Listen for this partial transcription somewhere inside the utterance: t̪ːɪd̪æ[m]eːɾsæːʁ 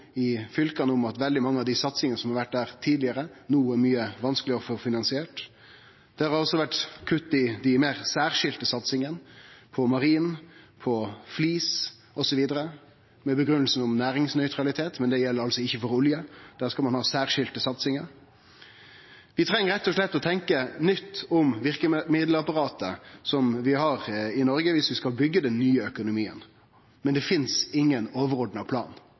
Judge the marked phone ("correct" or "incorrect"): correct